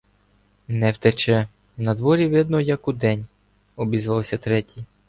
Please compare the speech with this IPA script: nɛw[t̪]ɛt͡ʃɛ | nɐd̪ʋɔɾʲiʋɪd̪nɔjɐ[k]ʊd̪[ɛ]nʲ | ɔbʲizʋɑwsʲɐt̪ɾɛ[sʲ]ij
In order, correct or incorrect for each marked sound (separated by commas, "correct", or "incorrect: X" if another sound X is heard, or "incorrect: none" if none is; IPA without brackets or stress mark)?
correct, correct, correct, incorrect: tʲ